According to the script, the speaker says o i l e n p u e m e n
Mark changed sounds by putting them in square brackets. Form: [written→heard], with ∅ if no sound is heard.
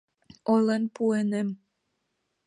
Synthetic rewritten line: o [i→j] l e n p u e [m→n] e [n→m]